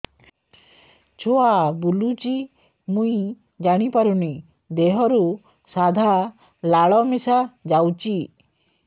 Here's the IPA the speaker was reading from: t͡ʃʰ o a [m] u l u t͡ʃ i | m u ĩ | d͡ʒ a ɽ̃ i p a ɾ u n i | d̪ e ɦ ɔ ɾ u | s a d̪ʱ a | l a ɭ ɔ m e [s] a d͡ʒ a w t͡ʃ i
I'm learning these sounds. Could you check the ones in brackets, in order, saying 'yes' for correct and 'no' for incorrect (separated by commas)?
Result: no, yes